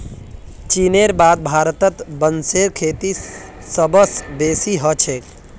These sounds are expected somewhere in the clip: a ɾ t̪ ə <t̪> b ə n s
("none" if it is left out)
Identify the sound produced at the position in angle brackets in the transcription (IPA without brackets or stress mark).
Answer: t̪